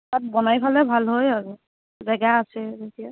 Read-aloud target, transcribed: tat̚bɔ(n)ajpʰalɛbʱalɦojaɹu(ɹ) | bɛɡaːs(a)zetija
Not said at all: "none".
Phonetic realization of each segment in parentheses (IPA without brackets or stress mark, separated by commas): n, none, ɛ